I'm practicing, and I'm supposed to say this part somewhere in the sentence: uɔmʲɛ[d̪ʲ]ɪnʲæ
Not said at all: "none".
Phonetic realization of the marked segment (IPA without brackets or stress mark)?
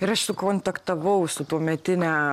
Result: t̪ʲ